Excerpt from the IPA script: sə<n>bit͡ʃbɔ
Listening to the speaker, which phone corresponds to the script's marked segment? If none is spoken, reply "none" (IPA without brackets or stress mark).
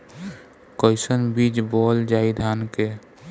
n